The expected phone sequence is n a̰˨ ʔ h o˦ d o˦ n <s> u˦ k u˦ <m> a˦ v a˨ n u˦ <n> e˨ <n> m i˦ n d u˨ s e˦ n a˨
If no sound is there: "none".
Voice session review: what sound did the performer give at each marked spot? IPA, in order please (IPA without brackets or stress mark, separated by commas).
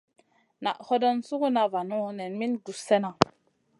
s, n, n, n